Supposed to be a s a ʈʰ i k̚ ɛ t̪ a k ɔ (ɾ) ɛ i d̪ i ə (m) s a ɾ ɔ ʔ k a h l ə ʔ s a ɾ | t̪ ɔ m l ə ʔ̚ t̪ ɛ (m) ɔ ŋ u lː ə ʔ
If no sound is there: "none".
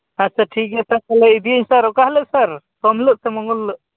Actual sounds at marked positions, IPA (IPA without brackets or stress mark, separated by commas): l, ɲ, m